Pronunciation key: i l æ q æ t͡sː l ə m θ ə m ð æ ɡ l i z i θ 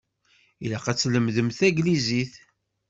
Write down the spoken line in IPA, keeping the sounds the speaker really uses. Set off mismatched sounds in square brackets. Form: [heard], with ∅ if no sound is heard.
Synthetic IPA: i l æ q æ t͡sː l ə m [ð] ə m [θ] æ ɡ l i z i θ